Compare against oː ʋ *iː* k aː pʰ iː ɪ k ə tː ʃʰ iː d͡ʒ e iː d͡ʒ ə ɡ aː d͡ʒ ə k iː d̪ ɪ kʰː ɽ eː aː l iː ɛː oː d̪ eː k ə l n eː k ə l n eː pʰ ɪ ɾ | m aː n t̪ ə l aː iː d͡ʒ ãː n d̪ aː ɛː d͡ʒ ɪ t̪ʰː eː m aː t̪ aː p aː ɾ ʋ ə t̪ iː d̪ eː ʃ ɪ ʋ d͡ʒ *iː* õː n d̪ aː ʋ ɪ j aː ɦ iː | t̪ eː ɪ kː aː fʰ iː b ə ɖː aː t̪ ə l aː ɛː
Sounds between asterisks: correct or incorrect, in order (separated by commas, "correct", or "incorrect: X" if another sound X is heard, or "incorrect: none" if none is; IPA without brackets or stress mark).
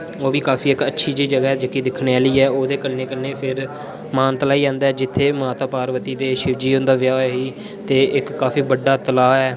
correct, correct